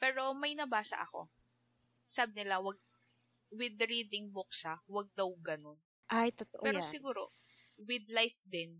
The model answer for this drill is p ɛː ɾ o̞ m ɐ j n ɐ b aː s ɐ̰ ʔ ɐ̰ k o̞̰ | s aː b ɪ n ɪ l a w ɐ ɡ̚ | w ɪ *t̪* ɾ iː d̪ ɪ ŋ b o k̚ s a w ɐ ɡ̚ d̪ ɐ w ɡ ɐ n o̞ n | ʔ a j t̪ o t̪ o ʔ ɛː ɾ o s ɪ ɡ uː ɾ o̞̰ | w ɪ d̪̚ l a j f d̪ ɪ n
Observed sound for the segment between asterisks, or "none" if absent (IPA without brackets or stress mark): d̪